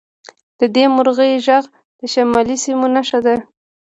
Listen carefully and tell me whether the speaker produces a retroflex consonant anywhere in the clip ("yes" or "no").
no